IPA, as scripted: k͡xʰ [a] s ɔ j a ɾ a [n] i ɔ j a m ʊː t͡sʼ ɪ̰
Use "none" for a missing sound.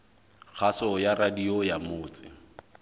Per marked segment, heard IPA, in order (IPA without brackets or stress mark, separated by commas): a, d